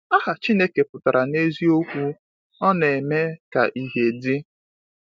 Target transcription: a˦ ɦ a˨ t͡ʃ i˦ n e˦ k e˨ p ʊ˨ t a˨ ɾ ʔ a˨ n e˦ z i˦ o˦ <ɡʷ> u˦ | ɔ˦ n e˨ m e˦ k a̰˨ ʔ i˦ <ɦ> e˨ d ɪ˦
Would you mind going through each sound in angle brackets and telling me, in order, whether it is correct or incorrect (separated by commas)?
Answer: incorrect, correct